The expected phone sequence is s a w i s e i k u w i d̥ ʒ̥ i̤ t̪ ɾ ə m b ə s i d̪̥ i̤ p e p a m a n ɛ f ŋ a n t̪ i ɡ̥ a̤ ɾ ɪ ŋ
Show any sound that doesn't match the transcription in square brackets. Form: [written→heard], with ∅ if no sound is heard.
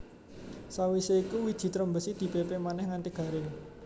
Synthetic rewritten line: s a w i s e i k u w i d̥ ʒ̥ i̤ t̪ ɾ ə m b ə s i d̪̥ i̤ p e p [a→e] m a n ɛ [f→h] ŋ a n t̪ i ɡ̥ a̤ ɾ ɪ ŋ